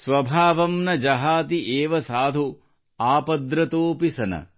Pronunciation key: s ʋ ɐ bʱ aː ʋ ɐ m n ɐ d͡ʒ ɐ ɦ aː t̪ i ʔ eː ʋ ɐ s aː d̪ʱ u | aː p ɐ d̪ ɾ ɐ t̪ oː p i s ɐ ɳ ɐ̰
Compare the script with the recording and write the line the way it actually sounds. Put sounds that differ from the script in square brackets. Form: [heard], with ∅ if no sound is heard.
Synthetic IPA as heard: s ʋ ɐ bʱ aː ʋ ɐ m n ɐ d͡ʒ ɐ ɦ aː t̪ i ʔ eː ʋ ɐ s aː d̪ʱ u | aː p ɐ d̪ ɾ ɐ t̪ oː p i s ɐ [n] ɐ̰